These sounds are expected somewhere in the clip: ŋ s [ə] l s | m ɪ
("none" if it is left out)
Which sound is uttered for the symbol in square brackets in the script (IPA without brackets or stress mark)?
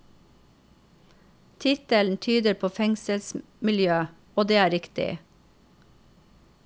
ə